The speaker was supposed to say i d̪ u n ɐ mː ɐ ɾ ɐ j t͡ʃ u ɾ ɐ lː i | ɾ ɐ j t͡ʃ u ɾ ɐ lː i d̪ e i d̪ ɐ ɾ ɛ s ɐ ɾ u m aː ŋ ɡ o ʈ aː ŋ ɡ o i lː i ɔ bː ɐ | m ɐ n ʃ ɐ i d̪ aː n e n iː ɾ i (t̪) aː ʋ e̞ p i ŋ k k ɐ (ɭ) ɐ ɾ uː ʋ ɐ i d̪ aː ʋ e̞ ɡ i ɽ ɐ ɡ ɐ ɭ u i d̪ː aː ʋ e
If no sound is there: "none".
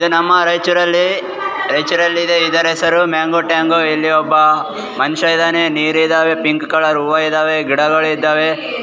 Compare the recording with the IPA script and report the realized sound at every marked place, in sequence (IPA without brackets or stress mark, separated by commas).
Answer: d̪, ɭ